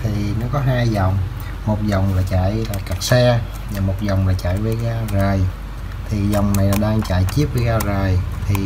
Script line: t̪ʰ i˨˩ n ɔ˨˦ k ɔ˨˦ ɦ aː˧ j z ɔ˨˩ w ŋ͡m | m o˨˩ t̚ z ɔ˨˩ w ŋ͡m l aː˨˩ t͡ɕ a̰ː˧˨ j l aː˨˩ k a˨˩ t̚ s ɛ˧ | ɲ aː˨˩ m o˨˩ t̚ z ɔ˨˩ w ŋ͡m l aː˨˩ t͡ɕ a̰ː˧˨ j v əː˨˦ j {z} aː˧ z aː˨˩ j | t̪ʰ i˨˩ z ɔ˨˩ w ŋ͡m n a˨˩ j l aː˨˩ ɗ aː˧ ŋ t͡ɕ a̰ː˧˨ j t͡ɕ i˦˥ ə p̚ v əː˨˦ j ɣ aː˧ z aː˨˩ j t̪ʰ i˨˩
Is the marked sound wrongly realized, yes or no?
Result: yes